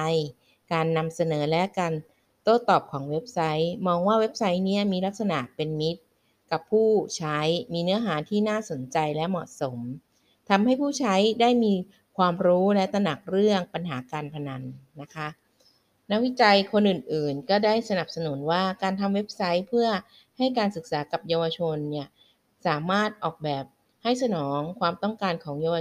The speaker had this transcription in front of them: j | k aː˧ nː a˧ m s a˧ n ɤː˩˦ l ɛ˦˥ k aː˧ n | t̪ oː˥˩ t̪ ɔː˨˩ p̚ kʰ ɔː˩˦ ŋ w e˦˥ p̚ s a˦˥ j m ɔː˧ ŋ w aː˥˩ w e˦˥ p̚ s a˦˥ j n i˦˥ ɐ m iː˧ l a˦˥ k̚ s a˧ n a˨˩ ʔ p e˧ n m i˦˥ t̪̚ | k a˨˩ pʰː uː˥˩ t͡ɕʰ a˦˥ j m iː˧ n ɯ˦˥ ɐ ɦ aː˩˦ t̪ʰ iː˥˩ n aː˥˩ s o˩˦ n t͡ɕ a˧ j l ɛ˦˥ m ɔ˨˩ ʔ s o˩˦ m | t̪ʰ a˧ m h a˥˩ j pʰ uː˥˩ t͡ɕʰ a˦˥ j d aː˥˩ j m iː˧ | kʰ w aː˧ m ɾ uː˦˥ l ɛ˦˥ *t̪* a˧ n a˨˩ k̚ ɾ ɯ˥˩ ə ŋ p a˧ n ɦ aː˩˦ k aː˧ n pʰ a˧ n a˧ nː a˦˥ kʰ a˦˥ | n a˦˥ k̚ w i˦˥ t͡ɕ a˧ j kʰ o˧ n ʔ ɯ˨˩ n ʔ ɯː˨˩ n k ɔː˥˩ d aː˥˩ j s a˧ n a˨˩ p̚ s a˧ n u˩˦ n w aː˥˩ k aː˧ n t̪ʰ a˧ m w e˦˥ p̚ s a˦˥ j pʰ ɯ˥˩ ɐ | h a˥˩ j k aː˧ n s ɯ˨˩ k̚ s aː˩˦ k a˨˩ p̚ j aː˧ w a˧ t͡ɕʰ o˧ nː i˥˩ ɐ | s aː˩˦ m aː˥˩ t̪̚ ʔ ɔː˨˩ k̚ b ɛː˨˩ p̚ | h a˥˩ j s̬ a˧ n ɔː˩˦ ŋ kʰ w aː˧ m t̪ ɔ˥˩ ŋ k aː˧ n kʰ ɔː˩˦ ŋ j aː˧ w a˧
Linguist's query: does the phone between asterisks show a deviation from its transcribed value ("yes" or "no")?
no